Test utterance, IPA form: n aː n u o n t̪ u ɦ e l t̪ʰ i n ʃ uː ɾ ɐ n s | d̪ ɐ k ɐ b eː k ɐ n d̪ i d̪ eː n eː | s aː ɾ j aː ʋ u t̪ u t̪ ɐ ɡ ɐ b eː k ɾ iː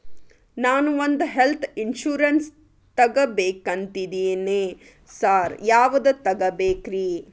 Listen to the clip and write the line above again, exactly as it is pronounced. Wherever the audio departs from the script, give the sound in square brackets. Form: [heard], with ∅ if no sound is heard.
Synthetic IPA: n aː n u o n [d̪] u ɦ e l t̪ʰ i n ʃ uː ɾ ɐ n s | [t̪] ɐ [ɡ] ɐ b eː k ɐ n [t̪] i d̪ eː n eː | s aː ɾ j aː ʋ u [d̪] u t̪ ɐ ɡ ɐ b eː k ɾ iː